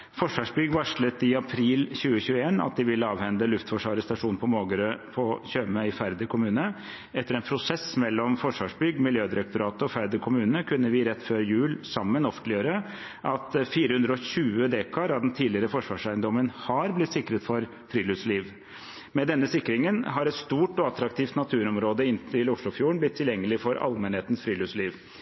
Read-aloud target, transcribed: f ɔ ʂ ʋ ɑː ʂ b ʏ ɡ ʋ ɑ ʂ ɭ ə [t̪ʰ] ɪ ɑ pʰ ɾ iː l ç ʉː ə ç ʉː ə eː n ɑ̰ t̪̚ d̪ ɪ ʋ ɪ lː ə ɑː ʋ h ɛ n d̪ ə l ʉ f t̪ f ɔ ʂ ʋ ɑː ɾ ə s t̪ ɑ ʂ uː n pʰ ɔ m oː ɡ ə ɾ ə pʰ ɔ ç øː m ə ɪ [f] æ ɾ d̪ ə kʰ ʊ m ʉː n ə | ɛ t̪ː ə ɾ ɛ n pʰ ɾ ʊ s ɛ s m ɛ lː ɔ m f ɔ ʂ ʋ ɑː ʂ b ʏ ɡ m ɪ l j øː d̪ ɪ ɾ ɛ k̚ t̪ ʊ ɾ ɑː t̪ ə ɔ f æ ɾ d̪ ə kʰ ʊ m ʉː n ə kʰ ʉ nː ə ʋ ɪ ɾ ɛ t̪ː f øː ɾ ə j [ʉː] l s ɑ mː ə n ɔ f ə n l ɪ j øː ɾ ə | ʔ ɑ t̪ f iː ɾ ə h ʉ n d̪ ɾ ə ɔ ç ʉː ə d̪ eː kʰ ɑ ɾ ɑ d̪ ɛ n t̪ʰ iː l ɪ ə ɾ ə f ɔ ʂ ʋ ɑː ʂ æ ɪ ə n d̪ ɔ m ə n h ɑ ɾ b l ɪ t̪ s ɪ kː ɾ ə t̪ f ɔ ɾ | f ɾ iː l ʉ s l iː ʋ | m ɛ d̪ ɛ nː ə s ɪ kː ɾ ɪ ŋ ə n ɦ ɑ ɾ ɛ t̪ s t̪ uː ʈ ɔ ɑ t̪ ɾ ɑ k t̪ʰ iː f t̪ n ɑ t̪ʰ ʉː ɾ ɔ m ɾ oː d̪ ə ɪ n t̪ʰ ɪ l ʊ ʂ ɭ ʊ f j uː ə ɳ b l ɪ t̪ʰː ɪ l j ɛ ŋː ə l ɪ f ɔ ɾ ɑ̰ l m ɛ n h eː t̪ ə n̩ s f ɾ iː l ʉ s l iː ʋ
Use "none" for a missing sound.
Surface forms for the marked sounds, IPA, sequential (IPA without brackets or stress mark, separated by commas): t̪, f, ʉː